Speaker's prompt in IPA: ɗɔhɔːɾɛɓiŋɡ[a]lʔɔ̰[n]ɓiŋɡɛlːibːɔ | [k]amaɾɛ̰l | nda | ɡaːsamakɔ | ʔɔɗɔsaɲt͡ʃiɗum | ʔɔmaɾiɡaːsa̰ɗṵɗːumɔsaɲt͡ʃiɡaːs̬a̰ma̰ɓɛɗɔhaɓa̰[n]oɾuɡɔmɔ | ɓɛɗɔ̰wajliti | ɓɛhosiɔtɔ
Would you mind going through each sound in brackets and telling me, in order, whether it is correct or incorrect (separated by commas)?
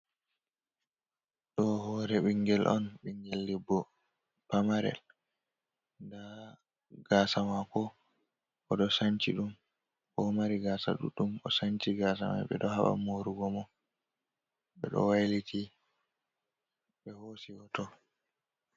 incorrect, correct, incorrect, incorrect